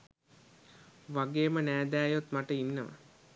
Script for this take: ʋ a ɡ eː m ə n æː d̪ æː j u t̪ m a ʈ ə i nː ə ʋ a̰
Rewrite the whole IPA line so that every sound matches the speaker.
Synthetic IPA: ʋ a ɡ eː m ə n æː d̪ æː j o t̪ m a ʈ ə i nː ə ʋ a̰